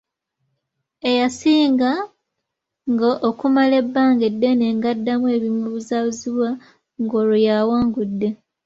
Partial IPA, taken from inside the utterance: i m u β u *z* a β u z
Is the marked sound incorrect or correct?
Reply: correct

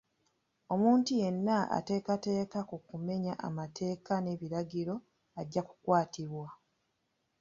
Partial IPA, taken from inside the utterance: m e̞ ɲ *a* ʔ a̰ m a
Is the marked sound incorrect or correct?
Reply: correct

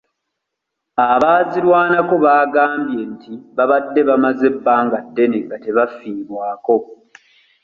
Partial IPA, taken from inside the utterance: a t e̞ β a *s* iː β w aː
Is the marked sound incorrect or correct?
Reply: incorrect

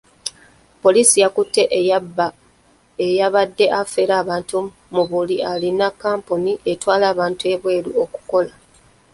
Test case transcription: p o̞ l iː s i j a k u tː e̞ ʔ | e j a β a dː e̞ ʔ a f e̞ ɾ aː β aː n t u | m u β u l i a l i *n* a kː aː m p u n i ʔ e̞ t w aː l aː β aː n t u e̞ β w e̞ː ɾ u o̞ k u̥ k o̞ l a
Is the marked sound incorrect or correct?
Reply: correct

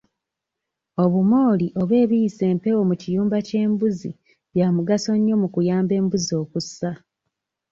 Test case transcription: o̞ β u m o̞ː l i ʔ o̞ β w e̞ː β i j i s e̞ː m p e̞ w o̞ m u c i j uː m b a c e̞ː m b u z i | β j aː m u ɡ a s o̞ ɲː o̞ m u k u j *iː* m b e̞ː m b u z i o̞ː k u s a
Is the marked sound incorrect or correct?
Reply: incorrect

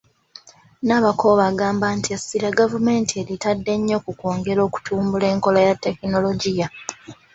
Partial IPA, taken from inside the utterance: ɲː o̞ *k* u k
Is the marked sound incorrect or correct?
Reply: correct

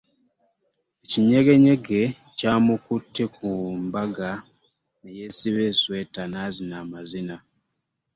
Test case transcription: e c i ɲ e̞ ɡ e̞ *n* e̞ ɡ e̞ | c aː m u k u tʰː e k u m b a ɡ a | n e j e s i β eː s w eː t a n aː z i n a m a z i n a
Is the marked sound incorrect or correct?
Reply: incorrect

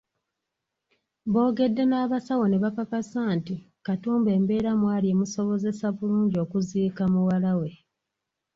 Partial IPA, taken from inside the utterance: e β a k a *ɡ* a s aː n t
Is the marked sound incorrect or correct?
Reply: incorrect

